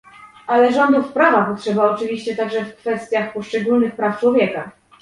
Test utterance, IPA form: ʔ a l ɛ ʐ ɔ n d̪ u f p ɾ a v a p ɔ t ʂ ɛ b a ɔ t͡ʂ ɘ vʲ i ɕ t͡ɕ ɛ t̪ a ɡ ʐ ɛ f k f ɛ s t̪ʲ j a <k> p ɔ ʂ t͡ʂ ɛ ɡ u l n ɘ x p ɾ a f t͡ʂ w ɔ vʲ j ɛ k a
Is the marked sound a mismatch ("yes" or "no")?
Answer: yes